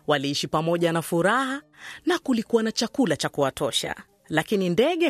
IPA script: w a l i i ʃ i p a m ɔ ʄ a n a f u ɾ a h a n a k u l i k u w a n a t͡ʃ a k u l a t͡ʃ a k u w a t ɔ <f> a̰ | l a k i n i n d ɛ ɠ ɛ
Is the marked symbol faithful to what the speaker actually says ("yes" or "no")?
no